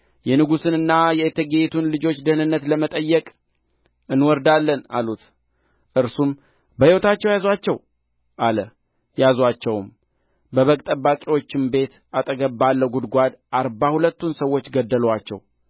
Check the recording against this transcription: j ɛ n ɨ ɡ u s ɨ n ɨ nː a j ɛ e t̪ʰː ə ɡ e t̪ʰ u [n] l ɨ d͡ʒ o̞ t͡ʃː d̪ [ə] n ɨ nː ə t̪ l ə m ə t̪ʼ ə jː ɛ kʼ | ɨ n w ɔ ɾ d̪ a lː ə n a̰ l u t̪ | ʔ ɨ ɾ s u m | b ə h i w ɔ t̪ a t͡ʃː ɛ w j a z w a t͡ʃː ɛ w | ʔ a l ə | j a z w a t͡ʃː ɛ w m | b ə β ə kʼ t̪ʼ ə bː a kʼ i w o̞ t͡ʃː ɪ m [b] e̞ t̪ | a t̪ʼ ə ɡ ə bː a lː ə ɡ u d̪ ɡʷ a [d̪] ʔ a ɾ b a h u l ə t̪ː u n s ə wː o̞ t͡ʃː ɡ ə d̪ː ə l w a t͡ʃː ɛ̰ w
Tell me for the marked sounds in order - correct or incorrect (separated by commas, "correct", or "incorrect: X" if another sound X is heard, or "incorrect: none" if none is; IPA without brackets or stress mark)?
correct, correct, correct, correct